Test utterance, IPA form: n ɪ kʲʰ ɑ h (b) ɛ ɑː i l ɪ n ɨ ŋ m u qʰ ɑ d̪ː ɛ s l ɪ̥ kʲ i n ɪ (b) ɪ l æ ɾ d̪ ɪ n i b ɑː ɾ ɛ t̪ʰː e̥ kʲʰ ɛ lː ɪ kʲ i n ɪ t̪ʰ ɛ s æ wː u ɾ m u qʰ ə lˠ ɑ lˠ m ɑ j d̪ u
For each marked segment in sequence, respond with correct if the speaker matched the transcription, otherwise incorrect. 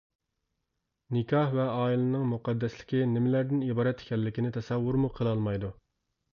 incorrect, incorrect

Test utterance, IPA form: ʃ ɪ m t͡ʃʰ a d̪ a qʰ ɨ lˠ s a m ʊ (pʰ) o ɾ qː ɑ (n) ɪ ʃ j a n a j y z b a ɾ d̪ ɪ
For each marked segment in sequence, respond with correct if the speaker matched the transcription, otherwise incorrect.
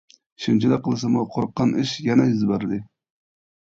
incorrect, correct

